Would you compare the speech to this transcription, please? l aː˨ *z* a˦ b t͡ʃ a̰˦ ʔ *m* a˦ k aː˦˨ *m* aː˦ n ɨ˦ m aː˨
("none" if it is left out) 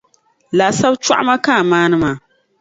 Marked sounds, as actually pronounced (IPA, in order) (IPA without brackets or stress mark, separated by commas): s, m, m